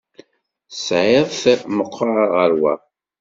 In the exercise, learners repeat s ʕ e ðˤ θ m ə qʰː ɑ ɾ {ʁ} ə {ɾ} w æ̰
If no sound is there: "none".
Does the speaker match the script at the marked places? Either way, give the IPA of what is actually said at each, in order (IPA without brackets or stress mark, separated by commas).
ʁ, ɾ